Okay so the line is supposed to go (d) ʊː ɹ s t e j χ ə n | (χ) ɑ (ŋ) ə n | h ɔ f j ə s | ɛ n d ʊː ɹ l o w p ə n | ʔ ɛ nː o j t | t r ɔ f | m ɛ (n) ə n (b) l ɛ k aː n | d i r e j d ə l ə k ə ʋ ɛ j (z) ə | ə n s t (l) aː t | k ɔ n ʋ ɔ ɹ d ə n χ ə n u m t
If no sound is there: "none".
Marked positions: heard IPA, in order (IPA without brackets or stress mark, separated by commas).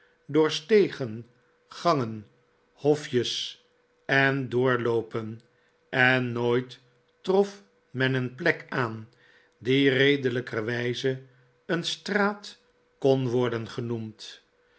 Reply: d, χ, ŋ, n, p, z, r